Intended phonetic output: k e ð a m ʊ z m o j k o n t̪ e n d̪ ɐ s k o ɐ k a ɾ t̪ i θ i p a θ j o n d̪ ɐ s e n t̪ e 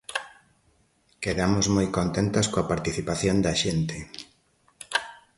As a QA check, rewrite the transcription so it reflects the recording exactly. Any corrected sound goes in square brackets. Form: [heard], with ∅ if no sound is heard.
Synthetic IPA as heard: k e ð a m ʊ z m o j k o n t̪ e n [t̪] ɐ s k o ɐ [p] a ɾ t̪ i θ i p a θ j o n d̪ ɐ [ʃ] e n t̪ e